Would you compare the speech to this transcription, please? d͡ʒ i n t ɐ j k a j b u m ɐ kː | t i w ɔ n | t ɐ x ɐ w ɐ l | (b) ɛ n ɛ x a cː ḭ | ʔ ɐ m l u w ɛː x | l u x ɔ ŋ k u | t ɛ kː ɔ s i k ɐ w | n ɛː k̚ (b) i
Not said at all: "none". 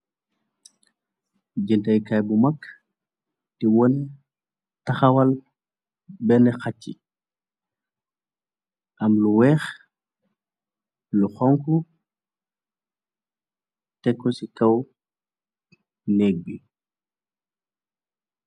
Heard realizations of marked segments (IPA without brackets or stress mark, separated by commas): b, b